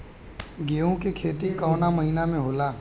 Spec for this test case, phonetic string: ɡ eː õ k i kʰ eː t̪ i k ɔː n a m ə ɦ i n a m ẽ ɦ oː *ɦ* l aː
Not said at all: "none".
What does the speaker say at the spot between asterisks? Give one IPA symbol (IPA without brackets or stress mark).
none